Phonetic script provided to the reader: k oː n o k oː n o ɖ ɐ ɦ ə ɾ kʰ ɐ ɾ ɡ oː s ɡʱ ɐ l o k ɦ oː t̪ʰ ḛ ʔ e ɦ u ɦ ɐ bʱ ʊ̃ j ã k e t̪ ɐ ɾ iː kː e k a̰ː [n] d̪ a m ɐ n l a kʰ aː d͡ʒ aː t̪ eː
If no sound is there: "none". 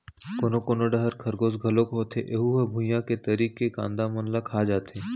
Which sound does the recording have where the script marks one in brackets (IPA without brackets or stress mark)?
n